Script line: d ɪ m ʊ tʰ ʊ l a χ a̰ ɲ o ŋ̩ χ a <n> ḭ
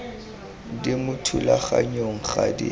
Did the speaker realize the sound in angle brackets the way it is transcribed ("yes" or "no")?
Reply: no